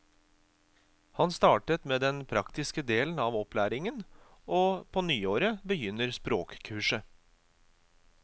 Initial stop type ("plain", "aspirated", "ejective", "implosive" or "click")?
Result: plain